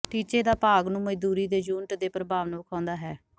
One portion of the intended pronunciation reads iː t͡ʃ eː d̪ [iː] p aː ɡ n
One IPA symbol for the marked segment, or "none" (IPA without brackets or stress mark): aː